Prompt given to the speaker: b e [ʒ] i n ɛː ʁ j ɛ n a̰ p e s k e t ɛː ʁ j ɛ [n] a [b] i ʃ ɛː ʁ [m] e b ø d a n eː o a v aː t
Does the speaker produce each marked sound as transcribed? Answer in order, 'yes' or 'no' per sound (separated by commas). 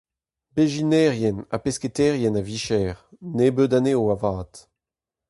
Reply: yes, yes, no, no